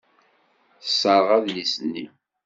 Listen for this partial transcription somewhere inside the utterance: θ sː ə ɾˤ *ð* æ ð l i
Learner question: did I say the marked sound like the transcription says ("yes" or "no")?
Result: no